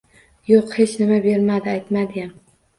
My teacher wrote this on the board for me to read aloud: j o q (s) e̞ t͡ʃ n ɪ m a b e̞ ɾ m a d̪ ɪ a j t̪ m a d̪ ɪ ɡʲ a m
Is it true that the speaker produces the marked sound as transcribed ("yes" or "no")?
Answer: no